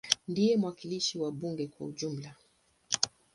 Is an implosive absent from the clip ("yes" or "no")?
no